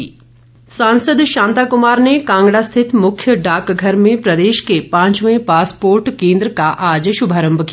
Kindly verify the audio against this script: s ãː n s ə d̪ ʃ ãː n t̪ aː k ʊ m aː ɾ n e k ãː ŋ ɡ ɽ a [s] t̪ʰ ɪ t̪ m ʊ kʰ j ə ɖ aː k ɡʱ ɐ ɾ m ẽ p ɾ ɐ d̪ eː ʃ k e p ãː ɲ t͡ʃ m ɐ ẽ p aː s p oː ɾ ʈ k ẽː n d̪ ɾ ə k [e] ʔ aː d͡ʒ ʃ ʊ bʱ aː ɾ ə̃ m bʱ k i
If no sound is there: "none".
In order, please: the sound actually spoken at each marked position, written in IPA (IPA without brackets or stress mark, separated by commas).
s, a